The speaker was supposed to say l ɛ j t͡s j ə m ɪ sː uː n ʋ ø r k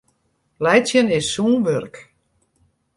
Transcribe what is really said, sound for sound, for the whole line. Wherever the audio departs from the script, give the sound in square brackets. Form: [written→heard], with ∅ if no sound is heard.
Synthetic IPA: l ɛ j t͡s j ə [m→n] ɪ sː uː n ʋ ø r k